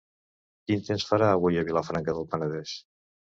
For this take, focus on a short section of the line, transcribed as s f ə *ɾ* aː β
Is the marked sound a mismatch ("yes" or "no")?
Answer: no